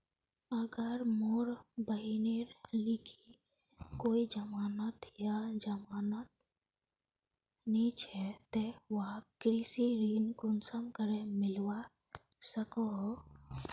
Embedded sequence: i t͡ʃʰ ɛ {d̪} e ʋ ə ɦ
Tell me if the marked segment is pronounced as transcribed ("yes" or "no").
no